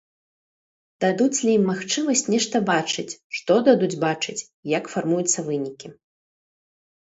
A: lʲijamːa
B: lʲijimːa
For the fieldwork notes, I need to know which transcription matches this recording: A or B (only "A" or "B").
B